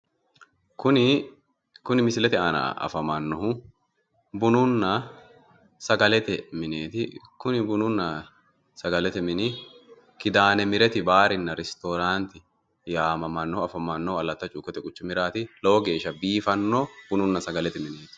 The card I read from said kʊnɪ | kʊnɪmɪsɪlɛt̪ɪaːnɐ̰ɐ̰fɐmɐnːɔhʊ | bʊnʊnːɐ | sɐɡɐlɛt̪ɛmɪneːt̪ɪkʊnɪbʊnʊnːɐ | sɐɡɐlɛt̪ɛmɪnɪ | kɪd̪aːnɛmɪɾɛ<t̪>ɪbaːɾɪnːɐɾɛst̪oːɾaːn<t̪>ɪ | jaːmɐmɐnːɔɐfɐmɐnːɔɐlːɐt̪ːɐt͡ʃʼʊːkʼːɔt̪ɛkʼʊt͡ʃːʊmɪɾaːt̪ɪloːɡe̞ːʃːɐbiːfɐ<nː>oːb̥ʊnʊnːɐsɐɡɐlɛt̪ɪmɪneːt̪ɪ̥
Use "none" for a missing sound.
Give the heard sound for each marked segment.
t̪, t̪, nː

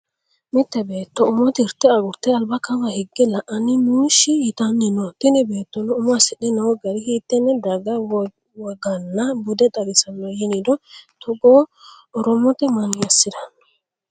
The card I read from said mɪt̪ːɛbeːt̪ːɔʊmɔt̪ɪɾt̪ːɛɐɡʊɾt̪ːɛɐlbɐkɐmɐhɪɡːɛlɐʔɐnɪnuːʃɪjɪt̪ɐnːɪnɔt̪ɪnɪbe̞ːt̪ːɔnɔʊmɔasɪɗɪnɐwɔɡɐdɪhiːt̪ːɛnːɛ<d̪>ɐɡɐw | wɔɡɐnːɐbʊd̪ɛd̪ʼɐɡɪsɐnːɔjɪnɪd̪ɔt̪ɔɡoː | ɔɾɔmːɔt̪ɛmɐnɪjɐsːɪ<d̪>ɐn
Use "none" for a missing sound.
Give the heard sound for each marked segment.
d̪, d̪

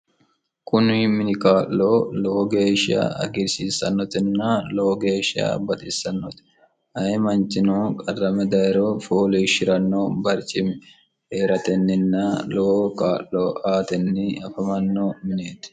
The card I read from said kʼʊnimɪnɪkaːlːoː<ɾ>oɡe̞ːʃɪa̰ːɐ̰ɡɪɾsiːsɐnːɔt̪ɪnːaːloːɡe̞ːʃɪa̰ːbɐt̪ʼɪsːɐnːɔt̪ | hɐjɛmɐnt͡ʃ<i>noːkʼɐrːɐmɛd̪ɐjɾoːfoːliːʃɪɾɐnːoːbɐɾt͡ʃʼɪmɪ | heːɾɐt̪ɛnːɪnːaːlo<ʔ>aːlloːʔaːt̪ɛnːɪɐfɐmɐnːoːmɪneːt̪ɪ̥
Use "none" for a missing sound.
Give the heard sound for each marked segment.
l, ɪ, k

